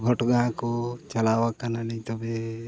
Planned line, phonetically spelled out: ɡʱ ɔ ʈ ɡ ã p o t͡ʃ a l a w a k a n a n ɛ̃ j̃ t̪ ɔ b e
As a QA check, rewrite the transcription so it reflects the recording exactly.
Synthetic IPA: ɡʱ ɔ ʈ ɡ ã k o t͡ʃ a l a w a k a n a n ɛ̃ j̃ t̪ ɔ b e